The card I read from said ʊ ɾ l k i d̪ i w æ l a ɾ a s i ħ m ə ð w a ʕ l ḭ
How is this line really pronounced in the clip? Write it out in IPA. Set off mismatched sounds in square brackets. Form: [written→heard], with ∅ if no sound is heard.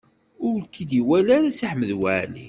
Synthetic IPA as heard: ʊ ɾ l k i d̪ i w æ l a ɾ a s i ħ m ə ð w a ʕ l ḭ